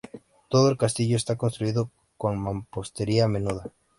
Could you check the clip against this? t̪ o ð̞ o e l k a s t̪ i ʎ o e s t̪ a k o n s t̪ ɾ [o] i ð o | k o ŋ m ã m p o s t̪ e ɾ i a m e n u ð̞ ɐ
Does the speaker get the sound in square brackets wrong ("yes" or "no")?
yes